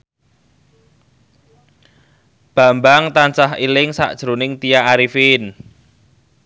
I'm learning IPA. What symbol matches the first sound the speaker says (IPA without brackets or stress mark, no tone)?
b̥